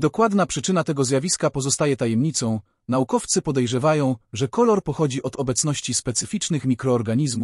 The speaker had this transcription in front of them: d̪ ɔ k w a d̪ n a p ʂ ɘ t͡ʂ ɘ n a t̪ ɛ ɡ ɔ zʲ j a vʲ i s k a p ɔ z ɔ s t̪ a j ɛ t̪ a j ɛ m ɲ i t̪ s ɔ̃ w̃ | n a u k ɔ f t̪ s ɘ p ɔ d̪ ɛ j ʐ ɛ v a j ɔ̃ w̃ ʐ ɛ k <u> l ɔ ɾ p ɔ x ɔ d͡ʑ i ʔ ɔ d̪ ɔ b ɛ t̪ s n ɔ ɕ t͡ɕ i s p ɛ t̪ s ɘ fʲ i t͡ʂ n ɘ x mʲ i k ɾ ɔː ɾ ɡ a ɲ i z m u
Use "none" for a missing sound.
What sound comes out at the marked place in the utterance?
ɔ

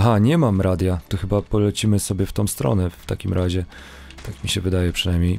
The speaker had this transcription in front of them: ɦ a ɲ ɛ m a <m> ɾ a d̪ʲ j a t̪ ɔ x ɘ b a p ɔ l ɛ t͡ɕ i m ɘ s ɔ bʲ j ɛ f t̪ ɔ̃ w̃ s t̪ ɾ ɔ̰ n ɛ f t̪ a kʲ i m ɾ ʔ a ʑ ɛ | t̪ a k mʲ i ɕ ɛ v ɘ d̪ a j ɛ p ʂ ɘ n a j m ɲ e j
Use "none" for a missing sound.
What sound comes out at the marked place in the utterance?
m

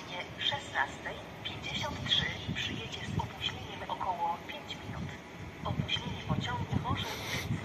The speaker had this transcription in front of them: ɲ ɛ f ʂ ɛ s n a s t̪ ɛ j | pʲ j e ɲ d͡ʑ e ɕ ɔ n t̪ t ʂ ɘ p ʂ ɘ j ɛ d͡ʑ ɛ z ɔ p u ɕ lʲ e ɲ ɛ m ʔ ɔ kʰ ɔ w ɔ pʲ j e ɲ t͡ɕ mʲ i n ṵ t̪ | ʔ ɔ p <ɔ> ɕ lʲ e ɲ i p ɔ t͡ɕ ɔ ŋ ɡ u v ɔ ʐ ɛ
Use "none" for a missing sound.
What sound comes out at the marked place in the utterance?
u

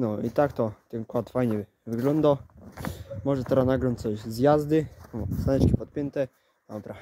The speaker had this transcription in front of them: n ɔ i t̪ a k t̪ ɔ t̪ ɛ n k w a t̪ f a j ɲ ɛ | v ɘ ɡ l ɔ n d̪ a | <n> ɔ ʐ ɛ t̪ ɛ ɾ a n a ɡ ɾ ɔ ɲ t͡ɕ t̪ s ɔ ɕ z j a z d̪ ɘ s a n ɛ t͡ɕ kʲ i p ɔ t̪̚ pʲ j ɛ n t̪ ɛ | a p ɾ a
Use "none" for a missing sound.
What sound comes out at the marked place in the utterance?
m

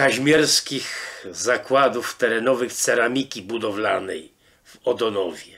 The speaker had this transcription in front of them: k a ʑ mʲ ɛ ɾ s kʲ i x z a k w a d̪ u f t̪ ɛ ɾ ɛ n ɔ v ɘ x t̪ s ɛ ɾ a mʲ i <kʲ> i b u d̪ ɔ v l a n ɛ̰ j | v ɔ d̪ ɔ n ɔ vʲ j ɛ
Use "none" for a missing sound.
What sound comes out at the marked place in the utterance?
kʲ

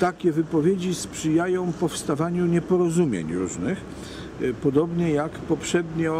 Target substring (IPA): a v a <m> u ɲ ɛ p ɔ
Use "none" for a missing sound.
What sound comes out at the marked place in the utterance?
ɲ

